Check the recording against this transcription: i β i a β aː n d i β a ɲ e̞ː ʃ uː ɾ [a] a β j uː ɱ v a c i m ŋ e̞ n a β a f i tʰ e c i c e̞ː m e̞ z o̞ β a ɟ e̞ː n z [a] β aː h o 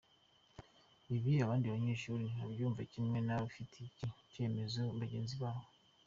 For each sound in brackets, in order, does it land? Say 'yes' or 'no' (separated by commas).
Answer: no, no